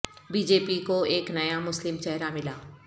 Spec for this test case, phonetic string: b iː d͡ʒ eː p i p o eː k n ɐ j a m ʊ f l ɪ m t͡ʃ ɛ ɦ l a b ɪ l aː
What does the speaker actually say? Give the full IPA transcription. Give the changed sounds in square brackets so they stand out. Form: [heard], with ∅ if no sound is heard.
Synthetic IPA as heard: b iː d͡ʒ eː p i [k] o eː k n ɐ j a m ʊ [s] l ɪ m t͡ʃ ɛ ɦ [ɾ] a [m] ɪ l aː